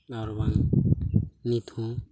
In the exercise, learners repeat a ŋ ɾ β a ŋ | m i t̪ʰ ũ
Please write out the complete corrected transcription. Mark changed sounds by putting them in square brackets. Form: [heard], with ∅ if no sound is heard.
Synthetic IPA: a [∅] ɾ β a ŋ | [n] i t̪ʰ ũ